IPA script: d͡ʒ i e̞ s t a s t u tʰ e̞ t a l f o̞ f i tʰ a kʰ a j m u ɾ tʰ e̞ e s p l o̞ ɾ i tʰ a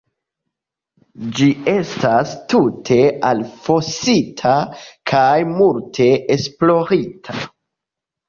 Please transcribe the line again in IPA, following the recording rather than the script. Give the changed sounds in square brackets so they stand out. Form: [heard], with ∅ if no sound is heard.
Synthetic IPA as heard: d͡ʒ i e̞ s t a s t u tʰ e̞ [∅] a l f o̞ [s] i tʰ a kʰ a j m u [l] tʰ e̞ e s p l o̞ ɾ i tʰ a